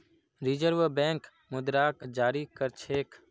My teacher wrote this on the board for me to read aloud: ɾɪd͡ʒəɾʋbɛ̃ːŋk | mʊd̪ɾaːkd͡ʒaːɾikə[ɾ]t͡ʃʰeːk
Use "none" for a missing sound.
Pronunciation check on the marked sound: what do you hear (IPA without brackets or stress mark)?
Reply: ɾ